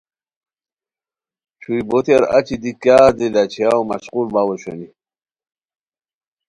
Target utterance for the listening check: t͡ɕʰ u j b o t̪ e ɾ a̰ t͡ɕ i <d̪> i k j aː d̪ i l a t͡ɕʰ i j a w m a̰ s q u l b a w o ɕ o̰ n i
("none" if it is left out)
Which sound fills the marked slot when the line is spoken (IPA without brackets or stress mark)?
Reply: d̪